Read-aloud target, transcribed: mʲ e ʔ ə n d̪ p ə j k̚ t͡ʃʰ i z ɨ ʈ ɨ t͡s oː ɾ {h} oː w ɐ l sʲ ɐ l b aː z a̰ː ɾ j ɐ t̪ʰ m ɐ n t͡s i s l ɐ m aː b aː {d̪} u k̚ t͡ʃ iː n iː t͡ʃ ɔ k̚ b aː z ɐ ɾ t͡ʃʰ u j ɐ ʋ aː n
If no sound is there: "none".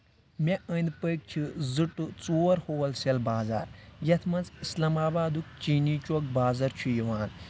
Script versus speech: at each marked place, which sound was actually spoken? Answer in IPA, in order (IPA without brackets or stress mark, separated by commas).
h, d̪